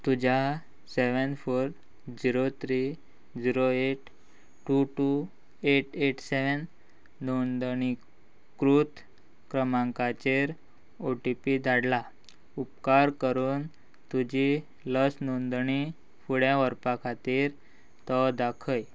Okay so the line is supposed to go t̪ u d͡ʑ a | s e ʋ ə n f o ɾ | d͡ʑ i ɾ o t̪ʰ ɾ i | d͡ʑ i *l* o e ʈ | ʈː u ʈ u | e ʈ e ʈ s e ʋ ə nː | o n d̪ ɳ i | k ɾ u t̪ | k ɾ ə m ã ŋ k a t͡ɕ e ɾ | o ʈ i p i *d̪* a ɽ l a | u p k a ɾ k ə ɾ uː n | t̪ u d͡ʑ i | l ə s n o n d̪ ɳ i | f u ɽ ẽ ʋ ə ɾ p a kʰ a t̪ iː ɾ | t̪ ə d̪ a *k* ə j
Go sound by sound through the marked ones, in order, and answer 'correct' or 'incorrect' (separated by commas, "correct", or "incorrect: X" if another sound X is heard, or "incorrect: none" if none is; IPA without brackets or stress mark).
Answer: incorrect: ɾ, correct, incorrect: kʰ